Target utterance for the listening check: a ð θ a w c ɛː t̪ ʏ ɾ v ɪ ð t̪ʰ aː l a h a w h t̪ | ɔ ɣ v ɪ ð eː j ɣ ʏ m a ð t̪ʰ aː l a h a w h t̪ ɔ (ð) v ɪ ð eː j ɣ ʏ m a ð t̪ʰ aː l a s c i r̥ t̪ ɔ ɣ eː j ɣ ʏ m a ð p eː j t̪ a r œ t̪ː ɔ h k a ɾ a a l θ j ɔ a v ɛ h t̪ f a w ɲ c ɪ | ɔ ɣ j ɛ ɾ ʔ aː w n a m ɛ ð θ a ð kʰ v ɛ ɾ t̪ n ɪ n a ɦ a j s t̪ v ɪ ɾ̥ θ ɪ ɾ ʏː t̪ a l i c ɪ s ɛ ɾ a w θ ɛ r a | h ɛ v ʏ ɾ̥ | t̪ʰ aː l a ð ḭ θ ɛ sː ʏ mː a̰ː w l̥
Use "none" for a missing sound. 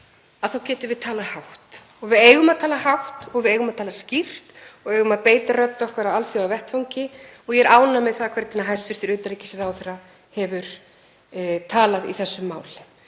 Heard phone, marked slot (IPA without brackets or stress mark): ɣ